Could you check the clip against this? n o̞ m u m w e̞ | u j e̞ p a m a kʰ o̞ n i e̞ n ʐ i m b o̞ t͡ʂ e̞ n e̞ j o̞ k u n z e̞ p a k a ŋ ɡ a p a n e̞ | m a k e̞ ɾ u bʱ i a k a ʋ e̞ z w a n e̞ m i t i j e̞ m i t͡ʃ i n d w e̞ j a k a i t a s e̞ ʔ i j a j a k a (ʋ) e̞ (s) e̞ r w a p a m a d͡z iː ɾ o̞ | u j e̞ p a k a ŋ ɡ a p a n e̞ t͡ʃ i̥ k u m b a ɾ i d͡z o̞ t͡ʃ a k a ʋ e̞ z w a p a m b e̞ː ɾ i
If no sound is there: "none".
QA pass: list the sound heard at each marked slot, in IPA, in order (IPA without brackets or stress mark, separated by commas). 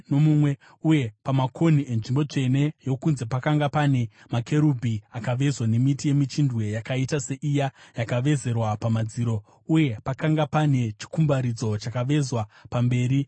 ʋ, z